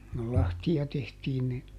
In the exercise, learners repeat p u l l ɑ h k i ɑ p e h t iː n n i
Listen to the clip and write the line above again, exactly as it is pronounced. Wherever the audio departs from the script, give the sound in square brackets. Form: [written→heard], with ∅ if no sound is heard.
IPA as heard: [p→k] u l l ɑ h [k→t] i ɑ [p→t] e h t iː n n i